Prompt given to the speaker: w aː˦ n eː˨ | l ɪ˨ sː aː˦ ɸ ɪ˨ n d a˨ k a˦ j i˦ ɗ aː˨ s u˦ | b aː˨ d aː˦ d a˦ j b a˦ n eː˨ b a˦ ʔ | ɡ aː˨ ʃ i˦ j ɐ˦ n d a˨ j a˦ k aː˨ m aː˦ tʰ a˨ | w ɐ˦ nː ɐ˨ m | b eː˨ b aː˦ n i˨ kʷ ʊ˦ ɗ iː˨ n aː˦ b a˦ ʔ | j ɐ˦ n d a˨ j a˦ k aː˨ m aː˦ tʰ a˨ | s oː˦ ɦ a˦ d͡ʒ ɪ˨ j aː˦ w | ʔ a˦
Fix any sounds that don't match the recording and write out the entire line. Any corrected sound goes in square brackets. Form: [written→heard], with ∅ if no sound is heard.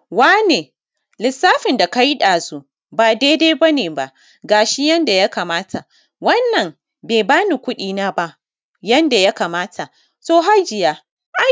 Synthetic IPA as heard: w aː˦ n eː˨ | l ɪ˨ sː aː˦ ɸ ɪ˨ n d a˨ k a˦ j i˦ ɗ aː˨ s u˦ | b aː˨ d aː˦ d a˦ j b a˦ n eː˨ b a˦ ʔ | ɡ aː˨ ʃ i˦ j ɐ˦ n d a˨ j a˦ k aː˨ m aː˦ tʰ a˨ | w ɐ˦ nː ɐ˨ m | b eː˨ b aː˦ n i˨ kʷ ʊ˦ ɗ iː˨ n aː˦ b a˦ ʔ | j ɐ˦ n d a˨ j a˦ k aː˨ m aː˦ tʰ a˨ | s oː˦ ɦ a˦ d͡ʒ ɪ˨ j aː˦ [w→∅] | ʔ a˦